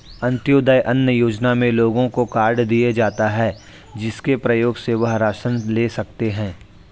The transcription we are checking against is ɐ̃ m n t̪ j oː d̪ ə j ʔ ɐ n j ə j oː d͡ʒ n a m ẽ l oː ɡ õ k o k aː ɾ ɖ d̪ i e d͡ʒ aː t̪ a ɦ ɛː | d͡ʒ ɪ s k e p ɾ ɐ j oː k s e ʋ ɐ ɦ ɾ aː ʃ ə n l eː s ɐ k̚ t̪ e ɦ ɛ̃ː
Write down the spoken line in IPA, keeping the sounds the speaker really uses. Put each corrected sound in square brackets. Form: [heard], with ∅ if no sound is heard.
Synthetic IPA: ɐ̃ [∅] n t̪ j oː d̪ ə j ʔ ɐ n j ə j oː d͡ʒ n a m ẽ l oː ɡ õ k o k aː ɾ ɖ d̪ i e d͡ʒ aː t̪ a ɦ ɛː | d͡ʒ ɪ s k e p ɾ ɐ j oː [ɡ] s e ʋ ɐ ɦ ɾ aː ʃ ə n l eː s ɐ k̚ t̪ e ɦ ɛ̃ː